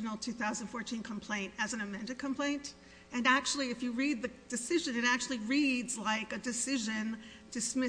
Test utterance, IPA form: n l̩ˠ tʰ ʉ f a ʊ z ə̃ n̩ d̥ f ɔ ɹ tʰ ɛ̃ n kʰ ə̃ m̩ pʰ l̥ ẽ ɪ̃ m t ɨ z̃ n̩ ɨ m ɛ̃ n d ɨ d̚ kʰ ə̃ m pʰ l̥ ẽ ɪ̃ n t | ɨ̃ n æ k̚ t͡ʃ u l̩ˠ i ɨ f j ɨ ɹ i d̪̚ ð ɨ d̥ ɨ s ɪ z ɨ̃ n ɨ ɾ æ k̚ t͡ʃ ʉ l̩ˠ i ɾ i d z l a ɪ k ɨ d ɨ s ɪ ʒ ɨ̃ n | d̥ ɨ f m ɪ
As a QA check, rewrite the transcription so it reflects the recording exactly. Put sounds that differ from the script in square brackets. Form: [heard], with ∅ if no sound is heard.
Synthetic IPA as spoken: n l̩ˠ tʰ ʉ [θ] a ʊ z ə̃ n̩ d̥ f ɔ ɹ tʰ [ĩ] n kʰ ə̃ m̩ pʰ l̥ ẽ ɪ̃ [n] t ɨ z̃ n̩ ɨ m ɛ̃ n d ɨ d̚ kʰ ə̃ m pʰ l̥ ẽ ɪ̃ n t | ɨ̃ n æ k̚ t͡ʃ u l̩ˠ i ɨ f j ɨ ɹ i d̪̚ ð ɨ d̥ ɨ s ɪ [ʒ] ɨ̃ n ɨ ɾ æ k̚ t͡ʃ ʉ l̩ˠ i [ɹ] i d z l a ɪ k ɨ d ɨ s ɪ ʒ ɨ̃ n | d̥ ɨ [s] m ɪ